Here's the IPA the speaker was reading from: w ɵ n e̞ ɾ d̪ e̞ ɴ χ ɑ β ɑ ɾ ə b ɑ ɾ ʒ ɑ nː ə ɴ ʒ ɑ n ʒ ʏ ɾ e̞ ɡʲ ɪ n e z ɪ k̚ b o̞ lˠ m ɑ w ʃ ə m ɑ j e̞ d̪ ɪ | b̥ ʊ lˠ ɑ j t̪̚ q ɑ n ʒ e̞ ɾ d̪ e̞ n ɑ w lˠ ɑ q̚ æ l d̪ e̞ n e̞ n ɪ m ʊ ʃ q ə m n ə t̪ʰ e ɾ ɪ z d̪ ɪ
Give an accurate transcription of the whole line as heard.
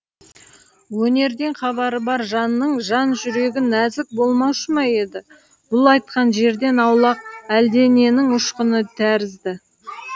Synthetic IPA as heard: w ɵ n e̞ ɾ d̪ e̞ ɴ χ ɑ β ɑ ɾ ə b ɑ ɾ ʒ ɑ nː ə ɴ ʒ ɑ n ʒ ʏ ɾ e̞ ɡʲ ɪ n æ z ɪ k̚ b o̞ lˠ m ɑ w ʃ ə m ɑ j e̞ d̪ ɪ | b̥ ʊ lˠ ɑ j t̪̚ q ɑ n ʒ e̞ ɾ d̪ e̞ n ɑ w lˠ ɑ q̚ æ l d̪ e̞ n e̞ n ɪ ŋ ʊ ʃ q ə n ə t̪ʰ æ ɾ ɪ z d̪ ɪ